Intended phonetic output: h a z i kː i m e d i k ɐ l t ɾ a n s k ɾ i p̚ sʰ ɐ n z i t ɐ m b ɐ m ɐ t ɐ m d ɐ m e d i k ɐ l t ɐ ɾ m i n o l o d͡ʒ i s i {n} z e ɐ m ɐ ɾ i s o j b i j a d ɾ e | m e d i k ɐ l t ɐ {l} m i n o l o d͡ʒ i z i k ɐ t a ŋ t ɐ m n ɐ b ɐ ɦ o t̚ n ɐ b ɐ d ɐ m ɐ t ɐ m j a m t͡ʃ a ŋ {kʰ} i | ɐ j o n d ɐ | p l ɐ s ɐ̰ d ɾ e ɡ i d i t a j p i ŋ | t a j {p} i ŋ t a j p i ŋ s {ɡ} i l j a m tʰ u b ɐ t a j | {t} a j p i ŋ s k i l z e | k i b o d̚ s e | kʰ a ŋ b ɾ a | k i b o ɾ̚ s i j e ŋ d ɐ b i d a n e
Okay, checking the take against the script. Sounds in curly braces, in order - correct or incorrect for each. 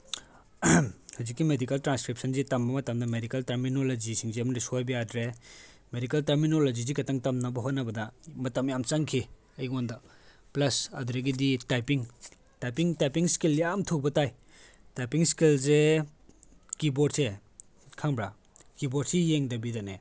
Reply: incorrect: ŋ, incorrect: ɾ, correct, correct, incorrect: k, correct

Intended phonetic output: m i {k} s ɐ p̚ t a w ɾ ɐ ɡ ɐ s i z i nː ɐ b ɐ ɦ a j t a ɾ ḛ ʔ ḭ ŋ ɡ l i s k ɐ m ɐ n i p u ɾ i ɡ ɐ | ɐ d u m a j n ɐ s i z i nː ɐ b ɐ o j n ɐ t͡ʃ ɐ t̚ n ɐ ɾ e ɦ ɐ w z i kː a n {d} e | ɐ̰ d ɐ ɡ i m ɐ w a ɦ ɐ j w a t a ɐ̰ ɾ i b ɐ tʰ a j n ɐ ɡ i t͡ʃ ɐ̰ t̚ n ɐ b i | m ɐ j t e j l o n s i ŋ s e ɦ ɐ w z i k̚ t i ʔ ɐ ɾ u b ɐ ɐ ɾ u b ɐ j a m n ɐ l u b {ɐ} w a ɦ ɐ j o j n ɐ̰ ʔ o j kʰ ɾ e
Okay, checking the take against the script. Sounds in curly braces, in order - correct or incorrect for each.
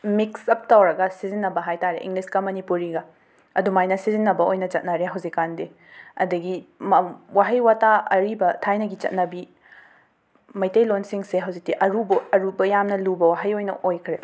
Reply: correct, correct, correct

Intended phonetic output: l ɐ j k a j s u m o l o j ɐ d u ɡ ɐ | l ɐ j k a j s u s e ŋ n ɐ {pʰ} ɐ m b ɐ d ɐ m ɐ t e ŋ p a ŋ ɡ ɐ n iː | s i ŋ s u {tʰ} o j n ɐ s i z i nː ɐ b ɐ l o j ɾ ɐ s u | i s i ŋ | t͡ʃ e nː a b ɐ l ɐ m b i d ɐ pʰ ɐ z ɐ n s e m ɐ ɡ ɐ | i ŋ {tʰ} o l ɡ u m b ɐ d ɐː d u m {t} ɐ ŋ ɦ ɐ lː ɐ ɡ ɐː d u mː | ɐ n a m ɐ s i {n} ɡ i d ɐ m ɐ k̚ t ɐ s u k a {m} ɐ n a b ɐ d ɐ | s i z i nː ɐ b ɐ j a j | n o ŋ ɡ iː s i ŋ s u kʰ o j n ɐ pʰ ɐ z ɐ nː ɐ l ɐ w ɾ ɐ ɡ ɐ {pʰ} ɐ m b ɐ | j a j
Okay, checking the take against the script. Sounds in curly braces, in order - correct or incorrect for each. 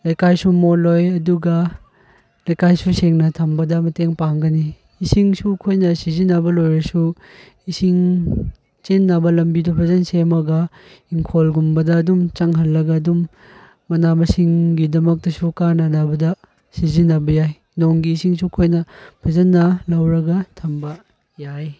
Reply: incorrect: tʰ, incorrect: kʰ, incorrect: kʰ, incorrect: t͡ʃ, incorrect: ŋ, incorrect: n, incorrect: tʰ

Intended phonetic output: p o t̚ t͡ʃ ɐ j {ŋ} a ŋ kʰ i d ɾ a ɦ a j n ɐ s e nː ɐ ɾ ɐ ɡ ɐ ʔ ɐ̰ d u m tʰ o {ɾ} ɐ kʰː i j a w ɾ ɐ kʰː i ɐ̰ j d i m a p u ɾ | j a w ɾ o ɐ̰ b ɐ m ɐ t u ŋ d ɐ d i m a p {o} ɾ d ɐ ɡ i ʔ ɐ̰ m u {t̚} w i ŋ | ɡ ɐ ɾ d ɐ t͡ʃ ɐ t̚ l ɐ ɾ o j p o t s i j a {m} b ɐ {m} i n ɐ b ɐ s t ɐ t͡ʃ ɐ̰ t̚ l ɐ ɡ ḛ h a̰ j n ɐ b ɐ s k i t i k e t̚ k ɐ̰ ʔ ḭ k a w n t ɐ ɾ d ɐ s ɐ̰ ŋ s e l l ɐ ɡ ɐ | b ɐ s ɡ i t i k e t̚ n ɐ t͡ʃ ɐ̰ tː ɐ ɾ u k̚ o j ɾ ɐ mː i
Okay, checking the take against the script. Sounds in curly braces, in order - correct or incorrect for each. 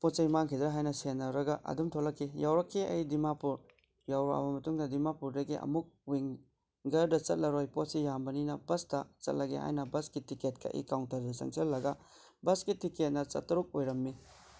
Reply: incorrect: m, incorrect: l, incorrect: u, incorrect: k̚, correct, incorrect: n

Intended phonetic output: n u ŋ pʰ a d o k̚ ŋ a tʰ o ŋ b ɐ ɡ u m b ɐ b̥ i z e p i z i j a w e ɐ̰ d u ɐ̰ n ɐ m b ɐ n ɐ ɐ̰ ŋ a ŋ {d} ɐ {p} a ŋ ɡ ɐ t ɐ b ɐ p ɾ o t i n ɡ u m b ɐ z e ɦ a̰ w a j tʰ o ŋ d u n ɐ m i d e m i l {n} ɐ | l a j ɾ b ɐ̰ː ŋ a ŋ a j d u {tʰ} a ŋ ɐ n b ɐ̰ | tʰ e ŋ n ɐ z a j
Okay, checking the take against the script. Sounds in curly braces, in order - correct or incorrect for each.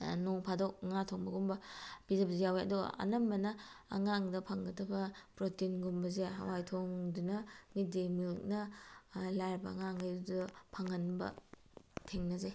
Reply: correct, incorrect: pʰ, correct, incorrect: pʰ

